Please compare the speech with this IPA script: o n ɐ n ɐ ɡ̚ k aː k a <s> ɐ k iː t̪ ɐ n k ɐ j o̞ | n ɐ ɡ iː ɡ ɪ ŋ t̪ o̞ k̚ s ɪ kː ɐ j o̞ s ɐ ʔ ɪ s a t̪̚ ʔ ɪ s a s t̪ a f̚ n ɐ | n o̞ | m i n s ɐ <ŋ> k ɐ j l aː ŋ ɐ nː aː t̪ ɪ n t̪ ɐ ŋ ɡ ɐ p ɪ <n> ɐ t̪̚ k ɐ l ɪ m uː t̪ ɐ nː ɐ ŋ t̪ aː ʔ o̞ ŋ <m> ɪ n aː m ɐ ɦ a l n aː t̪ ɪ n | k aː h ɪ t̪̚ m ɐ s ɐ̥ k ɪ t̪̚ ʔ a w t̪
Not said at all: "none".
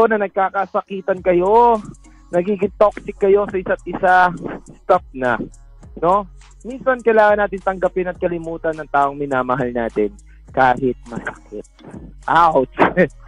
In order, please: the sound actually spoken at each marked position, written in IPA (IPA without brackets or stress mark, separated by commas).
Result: s, n, n, m